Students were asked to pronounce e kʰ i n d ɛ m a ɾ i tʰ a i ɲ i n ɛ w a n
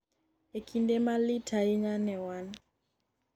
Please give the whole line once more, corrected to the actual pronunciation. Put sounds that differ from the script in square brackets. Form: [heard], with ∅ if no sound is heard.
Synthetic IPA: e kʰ i n d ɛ m a [l] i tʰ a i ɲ [a] n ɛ w a n